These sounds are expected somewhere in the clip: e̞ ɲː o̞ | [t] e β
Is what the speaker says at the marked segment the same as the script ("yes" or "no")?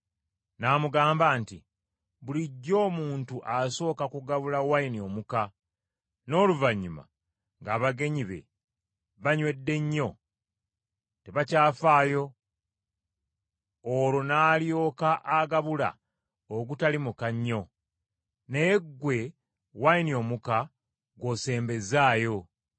yes